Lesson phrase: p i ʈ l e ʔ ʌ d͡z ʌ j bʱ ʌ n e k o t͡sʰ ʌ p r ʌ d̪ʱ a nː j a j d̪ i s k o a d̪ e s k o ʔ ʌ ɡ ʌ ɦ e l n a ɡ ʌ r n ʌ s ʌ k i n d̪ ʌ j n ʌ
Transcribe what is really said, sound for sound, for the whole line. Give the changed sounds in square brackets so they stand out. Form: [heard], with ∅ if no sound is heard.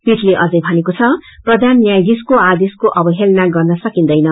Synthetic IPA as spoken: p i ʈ l e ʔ ʌ d͡z ʌ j bʱ ʌ n e k o t͡sʰ ʌ p r ʌ d̪ʱ a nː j a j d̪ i s k o a d̪ e s k o ʔ ʌ [b] ʌ ɦ e l n a ɡ ʌ r n ʌ s ʌ k i n d̪ ʌ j n ʌ